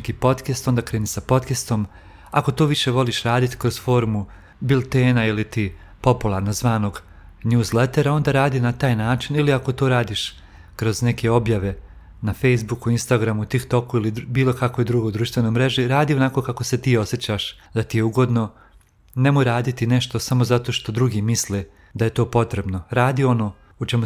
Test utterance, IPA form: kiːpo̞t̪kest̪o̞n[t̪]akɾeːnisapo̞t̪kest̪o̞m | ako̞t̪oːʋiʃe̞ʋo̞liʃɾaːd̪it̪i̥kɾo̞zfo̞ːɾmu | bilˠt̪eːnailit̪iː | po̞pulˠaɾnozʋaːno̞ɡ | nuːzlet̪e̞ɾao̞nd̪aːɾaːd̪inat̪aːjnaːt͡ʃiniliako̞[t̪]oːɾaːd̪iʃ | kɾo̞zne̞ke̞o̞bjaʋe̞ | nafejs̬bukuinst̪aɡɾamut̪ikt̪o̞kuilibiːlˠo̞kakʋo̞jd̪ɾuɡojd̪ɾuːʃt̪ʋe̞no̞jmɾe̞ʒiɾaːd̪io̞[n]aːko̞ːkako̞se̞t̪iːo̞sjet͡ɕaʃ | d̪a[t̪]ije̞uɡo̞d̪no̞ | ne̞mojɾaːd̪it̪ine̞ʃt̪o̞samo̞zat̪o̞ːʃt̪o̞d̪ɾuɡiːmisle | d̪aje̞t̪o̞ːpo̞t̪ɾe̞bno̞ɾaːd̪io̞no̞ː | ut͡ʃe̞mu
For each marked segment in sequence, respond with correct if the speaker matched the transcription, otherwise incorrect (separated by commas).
incorrect, correct, correct, correct